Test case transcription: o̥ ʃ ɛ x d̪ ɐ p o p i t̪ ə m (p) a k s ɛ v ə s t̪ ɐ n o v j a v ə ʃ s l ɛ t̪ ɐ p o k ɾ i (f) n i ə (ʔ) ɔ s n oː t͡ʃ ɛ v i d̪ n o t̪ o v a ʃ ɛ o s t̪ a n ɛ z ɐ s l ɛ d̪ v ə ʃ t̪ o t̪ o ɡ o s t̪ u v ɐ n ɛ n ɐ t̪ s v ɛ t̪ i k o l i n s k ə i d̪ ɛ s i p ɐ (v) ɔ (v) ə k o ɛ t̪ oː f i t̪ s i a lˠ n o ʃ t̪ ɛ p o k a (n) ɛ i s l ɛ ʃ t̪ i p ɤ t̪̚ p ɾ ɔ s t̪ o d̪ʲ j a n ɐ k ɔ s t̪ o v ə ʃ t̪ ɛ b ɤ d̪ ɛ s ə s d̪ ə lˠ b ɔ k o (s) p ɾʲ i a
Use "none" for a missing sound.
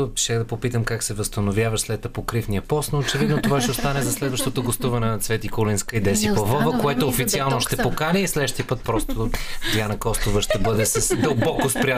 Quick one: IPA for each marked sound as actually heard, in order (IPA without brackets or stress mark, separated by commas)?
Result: k, f, p, v, v, n, s